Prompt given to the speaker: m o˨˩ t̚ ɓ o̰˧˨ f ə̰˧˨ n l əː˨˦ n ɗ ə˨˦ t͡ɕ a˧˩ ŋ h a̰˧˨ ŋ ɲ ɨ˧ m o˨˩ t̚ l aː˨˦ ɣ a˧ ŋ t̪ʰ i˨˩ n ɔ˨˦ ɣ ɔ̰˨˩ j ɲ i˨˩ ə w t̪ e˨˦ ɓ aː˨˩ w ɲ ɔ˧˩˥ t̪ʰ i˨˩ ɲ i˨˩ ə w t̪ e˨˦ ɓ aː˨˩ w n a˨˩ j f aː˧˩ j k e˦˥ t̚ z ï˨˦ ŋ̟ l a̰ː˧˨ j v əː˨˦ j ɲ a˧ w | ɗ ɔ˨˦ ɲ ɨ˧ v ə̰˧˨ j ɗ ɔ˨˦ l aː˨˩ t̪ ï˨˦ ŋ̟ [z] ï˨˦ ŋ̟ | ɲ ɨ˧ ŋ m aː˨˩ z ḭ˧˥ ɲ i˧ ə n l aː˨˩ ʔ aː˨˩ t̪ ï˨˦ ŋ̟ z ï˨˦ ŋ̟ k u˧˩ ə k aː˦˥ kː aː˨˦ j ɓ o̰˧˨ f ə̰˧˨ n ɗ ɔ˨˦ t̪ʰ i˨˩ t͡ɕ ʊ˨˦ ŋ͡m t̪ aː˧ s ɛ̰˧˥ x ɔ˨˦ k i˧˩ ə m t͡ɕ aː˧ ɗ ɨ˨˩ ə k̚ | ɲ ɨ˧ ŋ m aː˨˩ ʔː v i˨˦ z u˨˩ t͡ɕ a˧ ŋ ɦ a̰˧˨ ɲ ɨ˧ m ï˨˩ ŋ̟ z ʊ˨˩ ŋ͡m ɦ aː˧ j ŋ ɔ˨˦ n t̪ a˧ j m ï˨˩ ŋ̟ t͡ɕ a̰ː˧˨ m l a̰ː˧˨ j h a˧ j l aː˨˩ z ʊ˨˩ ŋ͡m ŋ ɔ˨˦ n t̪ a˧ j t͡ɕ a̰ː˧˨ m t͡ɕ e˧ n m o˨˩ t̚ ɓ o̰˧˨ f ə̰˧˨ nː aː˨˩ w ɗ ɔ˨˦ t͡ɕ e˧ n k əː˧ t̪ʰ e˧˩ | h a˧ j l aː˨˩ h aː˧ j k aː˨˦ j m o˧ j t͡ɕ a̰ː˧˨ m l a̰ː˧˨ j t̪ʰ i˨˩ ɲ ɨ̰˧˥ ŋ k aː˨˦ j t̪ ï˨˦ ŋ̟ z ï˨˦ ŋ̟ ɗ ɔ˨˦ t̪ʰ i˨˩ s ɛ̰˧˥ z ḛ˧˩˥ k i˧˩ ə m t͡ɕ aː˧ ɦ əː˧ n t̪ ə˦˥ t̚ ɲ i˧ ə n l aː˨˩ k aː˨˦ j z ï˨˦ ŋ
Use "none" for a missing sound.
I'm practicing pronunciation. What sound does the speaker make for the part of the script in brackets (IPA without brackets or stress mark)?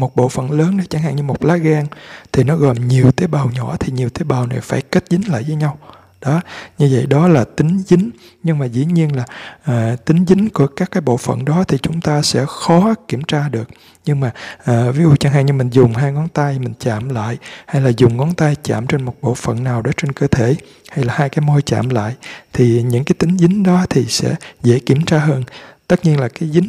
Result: z